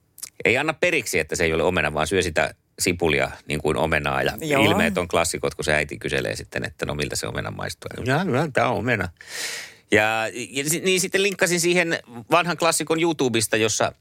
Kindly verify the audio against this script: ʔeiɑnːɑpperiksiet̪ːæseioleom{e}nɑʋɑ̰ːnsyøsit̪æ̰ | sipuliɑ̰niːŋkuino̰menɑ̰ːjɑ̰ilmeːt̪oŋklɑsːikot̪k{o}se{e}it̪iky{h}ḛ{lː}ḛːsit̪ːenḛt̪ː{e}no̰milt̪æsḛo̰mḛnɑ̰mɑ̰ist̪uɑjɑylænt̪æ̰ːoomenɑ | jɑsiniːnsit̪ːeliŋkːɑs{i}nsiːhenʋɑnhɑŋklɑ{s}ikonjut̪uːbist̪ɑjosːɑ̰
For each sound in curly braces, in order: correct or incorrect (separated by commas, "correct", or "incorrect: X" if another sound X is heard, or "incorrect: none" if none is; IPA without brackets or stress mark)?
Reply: correct, incorrect: u, incorrect: æ, incorrect: s, incorrect: l, incorrect: æ, correct, incorrect: sː